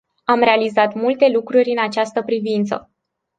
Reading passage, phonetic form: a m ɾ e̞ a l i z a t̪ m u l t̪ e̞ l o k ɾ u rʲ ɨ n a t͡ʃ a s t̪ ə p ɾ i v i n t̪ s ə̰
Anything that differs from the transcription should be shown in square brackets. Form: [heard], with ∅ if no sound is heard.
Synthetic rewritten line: a m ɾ e̞ a l i z a t̪ m u l t̪ e̞ l [u] k ɾ u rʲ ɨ n a t͡ʃ a s t̪ ə p ɾ i v i n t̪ s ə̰